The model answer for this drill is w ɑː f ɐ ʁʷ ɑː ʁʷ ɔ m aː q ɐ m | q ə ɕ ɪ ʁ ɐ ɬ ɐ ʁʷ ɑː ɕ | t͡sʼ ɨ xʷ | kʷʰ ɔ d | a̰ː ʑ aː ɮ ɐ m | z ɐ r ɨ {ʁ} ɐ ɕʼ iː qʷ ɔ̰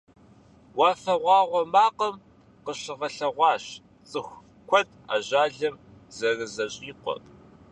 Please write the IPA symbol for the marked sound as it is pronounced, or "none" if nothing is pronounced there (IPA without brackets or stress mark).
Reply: z